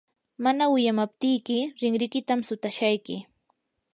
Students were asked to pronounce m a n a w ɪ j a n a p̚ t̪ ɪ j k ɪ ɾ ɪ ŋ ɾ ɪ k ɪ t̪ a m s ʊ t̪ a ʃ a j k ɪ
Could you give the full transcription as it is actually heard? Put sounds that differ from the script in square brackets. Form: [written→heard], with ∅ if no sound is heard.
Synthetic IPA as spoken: m a n a w ɪ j a [n→m] a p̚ t̪ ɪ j k ɪ ɾ ɪ ŋ ɾ ɪ k ɪ t̪ a m s ʊ t̪ a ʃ a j k ɪ